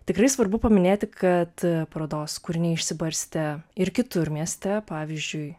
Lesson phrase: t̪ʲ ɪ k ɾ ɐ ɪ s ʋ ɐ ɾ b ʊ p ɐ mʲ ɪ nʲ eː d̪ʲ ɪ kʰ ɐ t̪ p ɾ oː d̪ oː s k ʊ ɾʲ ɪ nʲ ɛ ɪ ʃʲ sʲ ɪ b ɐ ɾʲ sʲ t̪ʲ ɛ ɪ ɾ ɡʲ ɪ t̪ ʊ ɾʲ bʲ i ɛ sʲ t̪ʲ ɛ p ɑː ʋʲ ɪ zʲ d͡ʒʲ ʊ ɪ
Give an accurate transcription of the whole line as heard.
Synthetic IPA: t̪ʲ ɪ k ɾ ɐ ɪ s ʋ ɐ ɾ b ʊ p ɐ mʲ ɪ nʲ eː t̪ʲ ɪ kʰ ɐ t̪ p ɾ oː d̪ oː s k ʊ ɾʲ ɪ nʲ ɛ ɪ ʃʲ sʲ ɪ b ɐ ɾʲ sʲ t̪ʲ ɛ ɪ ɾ kʲ ɪ t̪ ʊ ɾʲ mʲ i ɛ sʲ t̪ʲ ɛ p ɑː ʋʲ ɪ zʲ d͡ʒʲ ʊ ɪ